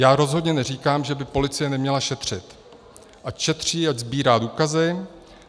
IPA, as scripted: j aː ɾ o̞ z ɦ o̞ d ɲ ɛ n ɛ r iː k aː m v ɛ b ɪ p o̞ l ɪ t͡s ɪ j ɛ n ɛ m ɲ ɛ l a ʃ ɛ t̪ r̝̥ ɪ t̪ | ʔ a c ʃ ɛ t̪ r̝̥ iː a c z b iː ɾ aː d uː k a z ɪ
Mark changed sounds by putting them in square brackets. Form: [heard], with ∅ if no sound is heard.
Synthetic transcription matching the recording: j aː ɾ o̞ z ɦ o̞ d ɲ ɛ n ɛ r iː k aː m [ʒ] ɛ b ɪ p o̞ l ɪ t͡s ɪ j ɛ n ɛ m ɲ ɛ l a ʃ ɛ t̪ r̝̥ ɪ t̪ | ʔ a c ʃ ɛ t̪ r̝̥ iː a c z b iː ɾ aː d uː k a z ɪ